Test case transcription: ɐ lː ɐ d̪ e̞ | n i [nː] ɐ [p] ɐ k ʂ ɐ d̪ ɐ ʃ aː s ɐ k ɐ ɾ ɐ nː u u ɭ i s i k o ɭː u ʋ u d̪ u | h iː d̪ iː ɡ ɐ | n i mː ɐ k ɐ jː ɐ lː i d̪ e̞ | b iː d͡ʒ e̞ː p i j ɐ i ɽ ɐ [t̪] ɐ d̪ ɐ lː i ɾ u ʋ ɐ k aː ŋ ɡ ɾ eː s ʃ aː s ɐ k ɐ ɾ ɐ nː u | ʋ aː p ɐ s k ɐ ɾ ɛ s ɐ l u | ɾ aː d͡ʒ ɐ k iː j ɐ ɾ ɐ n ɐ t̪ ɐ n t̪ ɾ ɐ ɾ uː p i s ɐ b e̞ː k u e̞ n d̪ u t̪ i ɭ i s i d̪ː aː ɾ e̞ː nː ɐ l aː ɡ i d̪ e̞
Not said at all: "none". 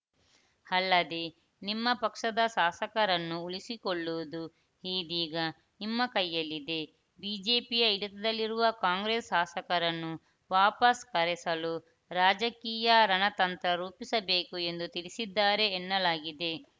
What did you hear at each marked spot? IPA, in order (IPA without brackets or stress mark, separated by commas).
mː, p, t̪